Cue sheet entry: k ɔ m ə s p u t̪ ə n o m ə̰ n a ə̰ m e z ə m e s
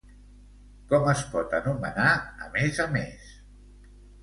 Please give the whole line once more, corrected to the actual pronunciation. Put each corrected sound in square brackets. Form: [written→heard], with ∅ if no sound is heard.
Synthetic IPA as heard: k ɔ m ə s p [u→ɔ] t̪ ə n [o→u] m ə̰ n a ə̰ m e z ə m e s